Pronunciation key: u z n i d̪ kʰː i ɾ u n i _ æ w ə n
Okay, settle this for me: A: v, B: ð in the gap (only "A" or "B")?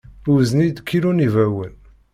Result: A